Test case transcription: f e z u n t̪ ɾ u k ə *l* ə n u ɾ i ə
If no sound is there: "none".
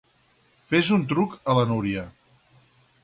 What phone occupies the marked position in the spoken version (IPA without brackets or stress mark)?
l